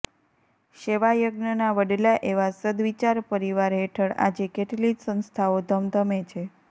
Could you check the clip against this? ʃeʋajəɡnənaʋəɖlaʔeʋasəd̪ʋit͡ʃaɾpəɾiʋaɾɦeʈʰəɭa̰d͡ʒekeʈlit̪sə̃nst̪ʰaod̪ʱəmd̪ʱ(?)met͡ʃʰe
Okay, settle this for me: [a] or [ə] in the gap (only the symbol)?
ə